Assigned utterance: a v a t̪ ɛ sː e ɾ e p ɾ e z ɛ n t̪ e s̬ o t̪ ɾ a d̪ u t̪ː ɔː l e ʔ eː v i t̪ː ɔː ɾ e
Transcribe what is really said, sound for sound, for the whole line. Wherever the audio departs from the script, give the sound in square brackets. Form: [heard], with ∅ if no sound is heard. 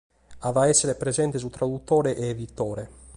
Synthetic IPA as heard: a v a [∅] ɛ sː e ɾ e p ɾ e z ɛ n t̪ e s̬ [u] t̪ ɾ a d̪ u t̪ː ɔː [ɾ] e ʔ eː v i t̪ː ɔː ɾ e